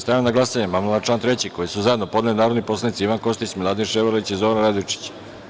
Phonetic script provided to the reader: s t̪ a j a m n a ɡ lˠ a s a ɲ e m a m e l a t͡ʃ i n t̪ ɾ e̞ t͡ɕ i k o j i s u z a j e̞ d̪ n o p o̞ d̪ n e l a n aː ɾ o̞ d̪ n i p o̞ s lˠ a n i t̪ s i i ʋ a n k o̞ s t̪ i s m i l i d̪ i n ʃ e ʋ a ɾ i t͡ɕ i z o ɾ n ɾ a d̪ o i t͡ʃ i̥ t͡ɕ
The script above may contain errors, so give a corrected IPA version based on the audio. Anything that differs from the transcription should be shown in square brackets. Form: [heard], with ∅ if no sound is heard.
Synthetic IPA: s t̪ a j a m n a ɡ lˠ a s a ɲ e m a m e l a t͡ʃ [a] n t̪ ɾ e̞ t͡ɕ i k o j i s u z a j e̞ d̪ n o p o̞ d̪ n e l [i] n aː ɾ o̞ d̪ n i p o̞ s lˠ a n i t̪ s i i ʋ a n k o̞ s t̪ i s m i l [a] d̪ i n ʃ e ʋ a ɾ i t͡ɕ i z o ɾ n ɾ a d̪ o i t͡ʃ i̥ t͡ɕ